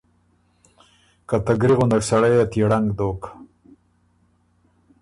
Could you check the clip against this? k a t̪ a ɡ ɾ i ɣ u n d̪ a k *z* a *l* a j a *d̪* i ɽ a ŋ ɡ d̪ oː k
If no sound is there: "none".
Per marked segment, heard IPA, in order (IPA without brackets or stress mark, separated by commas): s, ɽ, t̪